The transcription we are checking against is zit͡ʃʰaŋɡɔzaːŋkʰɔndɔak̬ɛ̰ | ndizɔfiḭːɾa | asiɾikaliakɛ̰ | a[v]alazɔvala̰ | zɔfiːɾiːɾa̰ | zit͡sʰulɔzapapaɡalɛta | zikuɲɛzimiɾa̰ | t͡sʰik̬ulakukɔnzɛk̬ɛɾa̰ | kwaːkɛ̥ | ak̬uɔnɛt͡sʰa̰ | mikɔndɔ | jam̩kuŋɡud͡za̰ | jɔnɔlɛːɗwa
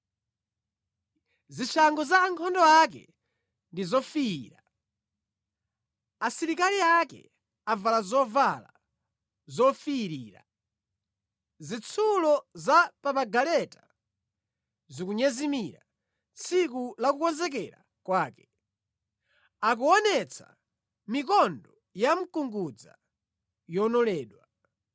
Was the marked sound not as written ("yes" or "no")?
no